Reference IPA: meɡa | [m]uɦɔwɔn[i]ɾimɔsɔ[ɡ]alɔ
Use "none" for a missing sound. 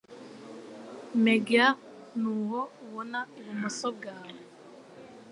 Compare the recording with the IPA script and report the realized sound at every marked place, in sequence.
n, a, ɡ

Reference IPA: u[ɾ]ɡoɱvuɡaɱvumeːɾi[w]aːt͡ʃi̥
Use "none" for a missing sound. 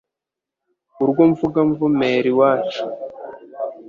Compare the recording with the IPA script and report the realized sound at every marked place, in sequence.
ɾ, w

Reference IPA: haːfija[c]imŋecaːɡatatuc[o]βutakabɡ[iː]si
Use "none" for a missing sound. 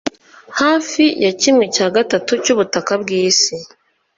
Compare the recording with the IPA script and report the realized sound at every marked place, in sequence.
c, u, iː

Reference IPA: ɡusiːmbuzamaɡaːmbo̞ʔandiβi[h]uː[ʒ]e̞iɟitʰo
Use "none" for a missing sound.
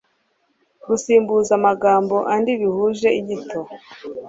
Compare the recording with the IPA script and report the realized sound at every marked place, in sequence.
h, ʒ

